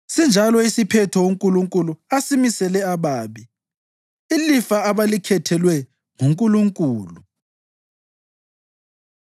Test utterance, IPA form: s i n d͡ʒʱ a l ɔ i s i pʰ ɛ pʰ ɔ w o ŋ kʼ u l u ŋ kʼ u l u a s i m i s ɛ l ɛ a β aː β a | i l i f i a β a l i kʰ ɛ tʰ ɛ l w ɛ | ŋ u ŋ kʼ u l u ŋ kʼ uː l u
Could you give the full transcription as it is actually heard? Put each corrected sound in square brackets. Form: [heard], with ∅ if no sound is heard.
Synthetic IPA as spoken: s i n d͡ʒʱ a l ɔ i s i pʰ ɛ [tʰ] ɔ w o ŋ kʼ u l u ŋ kʼ u l u a s i m i s ɛ l ɛ a β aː β [i] | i l i f [a] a β a l i kʰ ɛ tʰ ɛ l w ɛ | ŋ u ŋ kʼ u l u ŋ kʼ uː l u

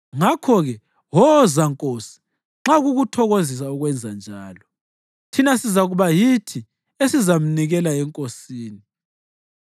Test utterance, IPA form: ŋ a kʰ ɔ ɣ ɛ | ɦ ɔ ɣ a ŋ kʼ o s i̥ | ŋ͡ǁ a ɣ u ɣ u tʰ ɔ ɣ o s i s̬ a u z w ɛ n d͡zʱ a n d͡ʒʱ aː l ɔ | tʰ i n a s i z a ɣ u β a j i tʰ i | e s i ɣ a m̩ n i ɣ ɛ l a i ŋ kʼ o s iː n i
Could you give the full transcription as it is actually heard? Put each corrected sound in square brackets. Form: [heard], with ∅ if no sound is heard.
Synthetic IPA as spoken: ŋ a kʰ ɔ ɣ ɛ | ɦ ɔ [z] a ŋ kʼ o s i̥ | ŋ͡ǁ a ɣ u ɣ u tʰ ɔ ɣ o [z] i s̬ a u [ɣ] w ɛ n d͡zʱ a n d͡ʒʱ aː l ɔ | tʰ i n a s i z a ɣ u β a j i tʰ i | e s i [z] a m̩ n i ɣ ɛ l a [ɛ] ŋ kʼ o s iː n i

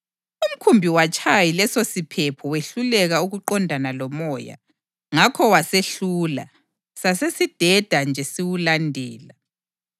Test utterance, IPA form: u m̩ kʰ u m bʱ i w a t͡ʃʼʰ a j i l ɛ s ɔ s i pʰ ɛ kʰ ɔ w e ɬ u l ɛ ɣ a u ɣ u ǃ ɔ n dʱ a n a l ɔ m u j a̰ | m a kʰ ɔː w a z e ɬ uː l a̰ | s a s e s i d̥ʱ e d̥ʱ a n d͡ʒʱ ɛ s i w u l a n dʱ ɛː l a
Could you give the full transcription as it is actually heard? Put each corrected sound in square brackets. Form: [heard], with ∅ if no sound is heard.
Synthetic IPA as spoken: u m̩ kʰ u m bʱ i w a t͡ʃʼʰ a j i l ɛ s [o] s i pʰ ɛ [pʰ] ɔ w e ɬ u l ɛ ɣ a u ɣ u ǃ ɔ n dʱ a n a l ɔ m [ɔ] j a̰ | [ŋ] a kʰ [ɔ] w a [s] e ɬ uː l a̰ | s a s e s i d̥ʱ [ɛ] d̥ʱ a n d͡ʒʱ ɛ s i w u l a n dʱ ɛː l a

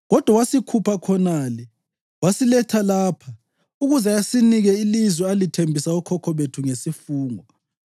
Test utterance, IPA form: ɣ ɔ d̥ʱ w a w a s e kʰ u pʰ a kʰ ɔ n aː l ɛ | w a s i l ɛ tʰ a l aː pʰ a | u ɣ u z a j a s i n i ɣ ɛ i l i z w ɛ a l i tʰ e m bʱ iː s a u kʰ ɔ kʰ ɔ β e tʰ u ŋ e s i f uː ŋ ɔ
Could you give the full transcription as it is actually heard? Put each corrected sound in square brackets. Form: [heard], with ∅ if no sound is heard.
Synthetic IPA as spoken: ɣ ɔ d̥ʱ w a w a s [i] kʰ u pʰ a kʰ ɔ n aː l ɛ | w a s i l ɛ tʰ a l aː pʰ a | u ɣ u z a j a s i n i ɣ ɛ i l i z w ɛ a l i tʰ e m bʱ [i] s a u kʰ ɔ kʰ ɔ β e tʰ u ŋ e s i f uː ŋ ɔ

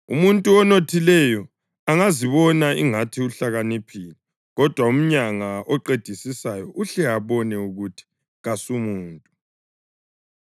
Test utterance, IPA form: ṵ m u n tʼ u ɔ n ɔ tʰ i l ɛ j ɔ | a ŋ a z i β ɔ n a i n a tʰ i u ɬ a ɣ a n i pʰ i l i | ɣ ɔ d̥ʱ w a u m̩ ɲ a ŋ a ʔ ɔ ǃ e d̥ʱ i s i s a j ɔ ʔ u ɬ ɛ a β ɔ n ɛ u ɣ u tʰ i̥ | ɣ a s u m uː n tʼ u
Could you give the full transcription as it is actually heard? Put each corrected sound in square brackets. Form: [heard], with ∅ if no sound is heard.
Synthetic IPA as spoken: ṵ m u n tʼ u ɔ n [o] tʰ i l ɛ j ɔ | a ŋ a z i β ɔ n a i [ŋ] a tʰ i u ɬ a ɣ a n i pʰ i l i | ɣ ɔ d̥ʱ w a u m̩ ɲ a ŋ a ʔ ɔ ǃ e d̥ʱ i s i s a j ɔ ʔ u ɬ ɛ a β ɔ n ɛ u ɣ u tʰ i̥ | ɣ a s u m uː n tʼ u

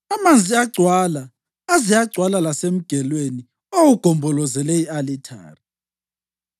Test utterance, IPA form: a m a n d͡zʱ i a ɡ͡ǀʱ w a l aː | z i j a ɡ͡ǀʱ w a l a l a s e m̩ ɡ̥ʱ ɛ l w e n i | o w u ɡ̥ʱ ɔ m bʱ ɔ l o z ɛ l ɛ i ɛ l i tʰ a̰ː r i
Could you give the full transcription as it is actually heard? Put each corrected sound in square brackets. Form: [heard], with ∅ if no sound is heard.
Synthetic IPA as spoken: a m a n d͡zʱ i a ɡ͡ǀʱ w a l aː | z i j a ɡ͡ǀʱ w a l a l a s e m̩ ɡ̥ʱ ɛ l w e n i | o w u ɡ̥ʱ ɔ m bʱ ɔ l [ɔ] z ɛ l ɛ i [a] l i tʰ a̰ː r i

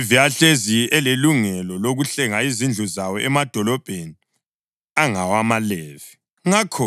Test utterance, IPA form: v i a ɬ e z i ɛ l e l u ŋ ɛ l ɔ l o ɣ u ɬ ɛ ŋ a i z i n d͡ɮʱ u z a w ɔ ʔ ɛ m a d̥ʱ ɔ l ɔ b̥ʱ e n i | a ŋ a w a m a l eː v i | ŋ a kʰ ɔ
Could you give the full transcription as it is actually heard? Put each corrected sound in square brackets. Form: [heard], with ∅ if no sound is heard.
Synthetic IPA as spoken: v i a ɬ e z i ɛ l e l u ŋ ɛ l ɔ l o ɣ u ɬ ɛ ŋ a i z i n d͡ɮʱ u z a w ɔ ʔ ɛ m a d̥ʱ ɔ l ɔ b̥ʱ e n i | a ŋ a w a m a l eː v i | ŋ a kʰ ɔ

